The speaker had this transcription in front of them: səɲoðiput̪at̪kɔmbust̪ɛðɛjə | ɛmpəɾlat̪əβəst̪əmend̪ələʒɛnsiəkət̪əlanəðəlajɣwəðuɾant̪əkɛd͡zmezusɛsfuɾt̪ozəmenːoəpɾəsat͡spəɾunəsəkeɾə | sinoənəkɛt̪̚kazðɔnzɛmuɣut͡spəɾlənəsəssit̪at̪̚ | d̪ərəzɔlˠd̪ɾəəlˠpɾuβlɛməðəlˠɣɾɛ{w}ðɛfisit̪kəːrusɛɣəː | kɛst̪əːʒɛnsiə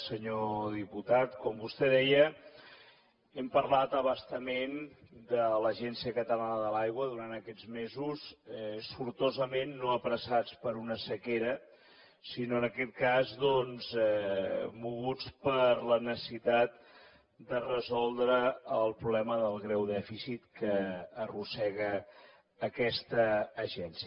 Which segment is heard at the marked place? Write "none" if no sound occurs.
w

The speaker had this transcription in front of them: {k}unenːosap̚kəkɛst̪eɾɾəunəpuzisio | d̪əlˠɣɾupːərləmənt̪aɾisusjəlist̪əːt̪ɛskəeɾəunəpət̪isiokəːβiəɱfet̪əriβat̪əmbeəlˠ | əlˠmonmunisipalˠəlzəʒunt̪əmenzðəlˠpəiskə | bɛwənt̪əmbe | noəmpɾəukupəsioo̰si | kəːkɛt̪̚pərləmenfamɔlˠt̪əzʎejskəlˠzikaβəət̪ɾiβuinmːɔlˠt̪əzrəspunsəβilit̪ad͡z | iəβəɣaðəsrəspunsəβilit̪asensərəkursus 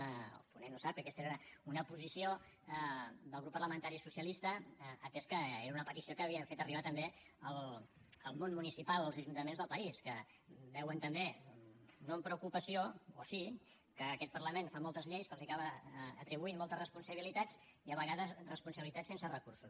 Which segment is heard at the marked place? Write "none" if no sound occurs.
p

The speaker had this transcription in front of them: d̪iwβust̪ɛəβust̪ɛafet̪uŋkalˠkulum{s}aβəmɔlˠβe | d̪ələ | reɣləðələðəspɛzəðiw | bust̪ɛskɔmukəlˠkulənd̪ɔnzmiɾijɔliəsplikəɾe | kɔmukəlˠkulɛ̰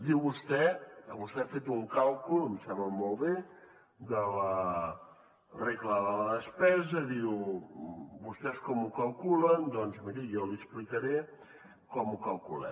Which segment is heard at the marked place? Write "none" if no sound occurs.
s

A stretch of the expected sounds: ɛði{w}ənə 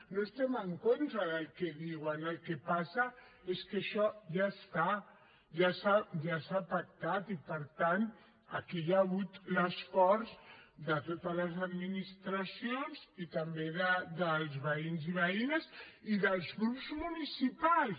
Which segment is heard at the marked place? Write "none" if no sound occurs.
w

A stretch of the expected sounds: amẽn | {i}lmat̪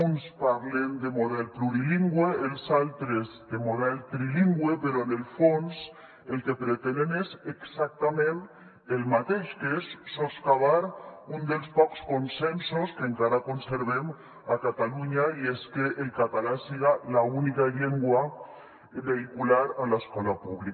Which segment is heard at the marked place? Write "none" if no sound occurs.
e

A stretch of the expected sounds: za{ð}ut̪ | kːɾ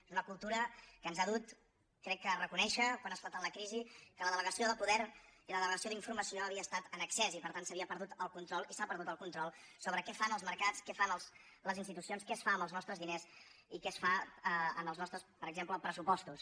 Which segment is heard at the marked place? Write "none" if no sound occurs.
ð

